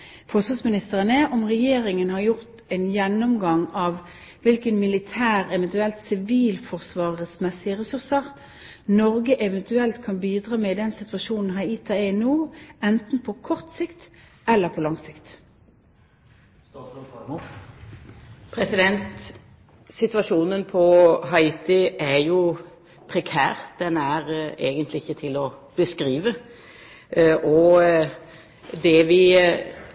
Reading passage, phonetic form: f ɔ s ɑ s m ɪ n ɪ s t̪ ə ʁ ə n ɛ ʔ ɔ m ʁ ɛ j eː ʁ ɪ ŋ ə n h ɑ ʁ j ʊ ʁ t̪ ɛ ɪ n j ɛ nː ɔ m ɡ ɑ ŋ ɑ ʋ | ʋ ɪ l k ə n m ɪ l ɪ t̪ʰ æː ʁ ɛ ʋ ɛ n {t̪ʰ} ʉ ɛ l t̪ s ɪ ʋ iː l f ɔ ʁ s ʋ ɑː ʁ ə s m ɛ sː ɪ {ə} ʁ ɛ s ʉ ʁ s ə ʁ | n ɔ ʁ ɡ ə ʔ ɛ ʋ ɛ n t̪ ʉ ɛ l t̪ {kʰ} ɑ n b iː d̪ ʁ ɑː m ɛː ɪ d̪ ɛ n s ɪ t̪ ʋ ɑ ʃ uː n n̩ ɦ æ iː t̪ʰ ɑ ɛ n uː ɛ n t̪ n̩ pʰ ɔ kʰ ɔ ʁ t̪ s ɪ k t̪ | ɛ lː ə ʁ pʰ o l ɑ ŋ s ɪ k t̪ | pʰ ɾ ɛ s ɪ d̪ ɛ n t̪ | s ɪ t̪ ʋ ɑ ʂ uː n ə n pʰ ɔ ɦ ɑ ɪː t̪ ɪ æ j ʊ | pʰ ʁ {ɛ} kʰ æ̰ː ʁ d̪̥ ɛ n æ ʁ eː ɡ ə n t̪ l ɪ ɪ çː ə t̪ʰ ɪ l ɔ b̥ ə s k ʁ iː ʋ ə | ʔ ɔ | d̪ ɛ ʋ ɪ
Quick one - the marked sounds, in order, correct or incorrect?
incorrect, correct, correct, correct

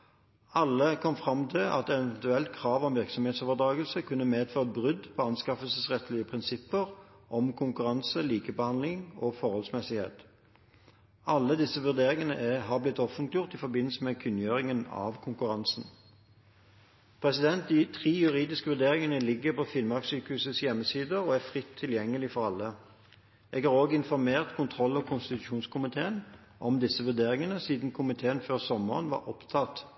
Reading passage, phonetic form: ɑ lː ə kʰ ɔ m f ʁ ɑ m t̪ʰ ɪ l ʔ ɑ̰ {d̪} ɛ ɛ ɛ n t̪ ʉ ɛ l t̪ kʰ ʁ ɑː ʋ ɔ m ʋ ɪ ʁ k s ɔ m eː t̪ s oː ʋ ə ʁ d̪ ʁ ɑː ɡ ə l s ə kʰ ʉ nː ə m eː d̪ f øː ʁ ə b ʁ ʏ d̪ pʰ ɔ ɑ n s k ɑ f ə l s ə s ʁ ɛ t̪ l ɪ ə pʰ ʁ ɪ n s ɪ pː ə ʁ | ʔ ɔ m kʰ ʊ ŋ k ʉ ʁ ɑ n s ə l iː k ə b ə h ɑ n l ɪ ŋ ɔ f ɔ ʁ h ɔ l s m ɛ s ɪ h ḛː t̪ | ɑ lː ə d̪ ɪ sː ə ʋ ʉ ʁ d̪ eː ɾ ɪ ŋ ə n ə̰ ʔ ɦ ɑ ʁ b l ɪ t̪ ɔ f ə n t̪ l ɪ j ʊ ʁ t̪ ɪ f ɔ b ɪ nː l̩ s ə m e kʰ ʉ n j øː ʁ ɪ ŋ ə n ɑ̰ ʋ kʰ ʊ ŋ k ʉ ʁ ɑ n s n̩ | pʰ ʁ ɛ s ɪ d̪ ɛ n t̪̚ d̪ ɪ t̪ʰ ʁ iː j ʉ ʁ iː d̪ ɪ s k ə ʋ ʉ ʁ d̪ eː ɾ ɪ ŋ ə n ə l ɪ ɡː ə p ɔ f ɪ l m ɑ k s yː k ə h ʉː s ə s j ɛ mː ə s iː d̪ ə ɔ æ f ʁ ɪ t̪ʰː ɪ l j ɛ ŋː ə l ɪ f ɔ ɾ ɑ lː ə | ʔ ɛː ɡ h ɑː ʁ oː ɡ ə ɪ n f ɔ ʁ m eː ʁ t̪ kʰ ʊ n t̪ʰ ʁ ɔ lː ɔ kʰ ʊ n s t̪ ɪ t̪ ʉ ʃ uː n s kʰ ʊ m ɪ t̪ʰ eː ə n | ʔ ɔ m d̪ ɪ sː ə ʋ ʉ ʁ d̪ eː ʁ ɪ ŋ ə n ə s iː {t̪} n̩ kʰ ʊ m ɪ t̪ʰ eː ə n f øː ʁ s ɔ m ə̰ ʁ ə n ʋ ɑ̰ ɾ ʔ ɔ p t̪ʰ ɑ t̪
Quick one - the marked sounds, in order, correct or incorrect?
incorrect, incorrect

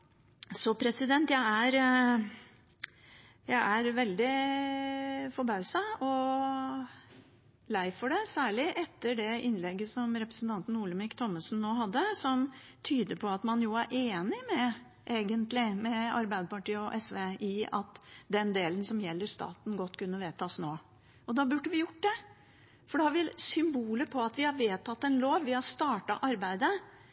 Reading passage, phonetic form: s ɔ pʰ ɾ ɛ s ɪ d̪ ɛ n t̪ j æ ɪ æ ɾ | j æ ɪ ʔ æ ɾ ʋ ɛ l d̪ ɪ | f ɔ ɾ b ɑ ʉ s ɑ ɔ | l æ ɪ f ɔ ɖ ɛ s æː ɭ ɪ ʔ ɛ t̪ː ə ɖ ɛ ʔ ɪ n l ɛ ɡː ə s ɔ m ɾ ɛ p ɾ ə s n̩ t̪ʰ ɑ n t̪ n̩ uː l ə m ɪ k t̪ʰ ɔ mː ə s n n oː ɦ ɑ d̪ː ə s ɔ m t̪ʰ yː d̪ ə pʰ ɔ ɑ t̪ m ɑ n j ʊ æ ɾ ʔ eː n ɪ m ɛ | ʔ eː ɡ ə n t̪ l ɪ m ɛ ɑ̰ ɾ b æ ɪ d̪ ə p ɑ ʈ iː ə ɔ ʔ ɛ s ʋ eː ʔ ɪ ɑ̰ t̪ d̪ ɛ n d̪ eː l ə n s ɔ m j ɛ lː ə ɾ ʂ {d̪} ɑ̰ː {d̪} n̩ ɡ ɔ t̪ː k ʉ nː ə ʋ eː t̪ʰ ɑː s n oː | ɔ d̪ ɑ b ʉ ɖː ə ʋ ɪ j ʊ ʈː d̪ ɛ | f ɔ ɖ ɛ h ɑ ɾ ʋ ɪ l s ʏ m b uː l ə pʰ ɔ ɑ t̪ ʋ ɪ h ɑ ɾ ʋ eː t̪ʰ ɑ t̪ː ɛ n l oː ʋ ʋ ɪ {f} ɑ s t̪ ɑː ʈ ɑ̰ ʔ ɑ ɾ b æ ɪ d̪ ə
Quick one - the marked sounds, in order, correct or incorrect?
incorrect, incorrect, incorrect

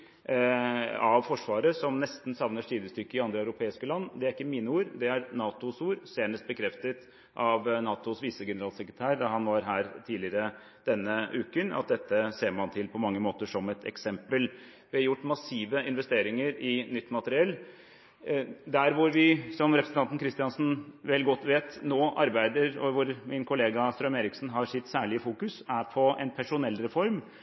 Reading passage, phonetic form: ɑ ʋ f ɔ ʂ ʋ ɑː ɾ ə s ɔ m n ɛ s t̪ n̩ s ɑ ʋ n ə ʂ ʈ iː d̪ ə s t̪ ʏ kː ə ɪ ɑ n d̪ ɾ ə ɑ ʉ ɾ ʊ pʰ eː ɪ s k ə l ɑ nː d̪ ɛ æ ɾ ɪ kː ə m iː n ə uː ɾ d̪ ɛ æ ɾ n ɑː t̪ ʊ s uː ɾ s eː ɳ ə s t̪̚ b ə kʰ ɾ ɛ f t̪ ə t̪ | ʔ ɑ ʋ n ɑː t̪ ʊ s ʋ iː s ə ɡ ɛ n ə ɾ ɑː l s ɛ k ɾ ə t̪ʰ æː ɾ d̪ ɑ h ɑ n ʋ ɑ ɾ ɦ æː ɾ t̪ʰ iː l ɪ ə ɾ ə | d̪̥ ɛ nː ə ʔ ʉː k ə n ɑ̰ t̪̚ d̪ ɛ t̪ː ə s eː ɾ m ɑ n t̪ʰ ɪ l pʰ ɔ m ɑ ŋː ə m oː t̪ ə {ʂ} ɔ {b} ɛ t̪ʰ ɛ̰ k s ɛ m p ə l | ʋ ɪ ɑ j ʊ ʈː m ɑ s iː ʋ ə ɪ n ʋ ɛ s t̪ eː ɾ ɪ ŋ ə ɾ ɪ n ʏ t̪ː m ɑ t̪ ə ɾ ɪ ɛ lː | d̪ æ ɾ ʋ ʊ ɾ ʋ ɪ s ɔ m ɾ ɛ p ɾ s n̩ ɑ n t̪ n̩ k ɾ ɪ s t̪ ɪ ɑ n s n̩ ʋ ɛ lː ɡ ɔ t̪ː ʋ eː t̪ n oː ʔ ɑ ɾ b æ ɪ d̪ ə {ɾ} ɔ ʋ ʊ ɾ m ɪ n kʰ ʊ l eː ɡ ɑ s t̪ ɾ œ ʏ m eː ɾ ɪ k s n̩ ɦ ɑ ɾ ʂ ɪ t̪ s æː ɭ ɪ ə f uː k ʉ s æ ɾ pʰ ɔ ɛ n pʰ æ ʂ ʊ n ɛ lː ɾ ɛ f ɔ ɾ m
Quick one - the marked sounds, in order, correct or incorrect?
correct, incorrect, correct

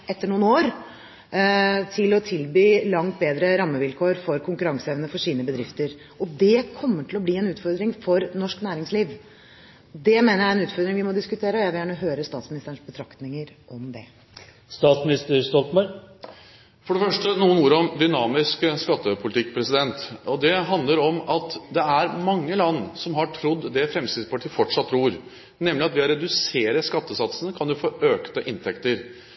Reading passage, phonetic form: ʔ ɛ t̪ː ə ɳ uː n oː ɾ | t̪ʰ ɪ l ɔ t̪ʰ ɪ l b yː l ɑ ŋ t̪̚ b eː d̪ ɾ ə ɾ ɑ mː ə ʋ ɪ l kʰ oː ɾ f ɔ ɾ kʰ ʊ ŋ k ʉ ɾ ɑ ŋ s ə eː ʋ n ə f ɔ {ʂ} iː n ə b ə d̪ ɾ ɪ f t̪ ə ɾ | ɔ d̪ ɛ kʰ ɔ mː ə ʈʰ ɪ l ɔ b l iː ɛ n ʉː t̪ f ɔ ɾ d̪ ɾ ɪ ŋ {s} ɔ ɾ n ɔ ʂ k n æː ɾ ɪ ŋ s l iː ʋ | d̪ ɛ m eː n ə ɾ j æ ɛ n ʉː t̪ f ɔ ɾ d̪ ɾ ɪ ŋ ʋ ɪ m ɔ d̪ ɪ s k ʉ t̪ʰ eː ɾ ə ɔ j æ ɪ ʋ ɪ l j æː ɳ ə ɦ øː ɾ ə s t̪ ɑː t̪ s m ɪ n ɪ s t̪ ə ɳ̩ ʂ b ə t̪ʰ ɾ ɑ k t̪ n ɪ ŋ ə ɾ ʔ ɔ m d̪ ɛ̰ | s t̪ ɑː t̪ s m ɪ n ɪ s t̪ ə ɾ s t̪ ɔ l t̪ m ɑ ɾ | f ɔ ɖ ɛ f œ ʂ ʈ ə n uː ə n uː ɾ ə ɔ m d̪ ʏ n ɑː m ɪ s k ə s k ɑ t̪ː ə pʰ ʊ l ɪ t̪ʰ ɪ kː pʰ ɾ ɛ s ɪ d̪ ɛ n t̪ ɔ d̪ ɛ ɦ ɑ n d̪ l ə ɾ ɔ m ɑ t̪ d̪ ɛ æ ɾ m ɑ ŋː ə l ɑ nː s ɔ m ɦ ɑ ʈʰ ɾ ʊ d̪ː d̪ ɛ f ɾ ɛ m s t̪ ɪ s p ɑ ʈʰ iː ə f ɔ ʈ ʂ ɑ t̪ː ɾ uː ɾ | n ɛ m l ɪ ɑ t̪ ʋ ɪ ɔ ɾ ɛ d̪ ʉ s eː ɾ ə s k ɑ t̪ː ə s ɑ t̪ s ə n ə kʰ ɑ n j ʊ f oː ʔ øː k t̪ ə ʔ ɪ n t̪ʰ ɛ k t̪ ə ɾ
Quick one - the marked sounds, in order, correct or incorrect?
correct, incorrect

